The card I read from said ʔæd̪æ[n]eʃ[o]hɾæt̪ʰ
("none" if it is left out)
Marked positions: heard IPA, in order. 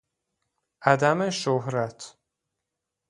m, o

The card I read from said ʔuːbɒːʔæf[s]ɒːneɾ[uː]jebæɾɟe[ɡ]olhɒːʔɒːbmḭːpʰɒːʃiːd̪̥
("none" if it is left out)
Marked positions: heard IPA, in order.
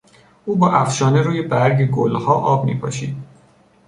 ʃ, uː, ɡ

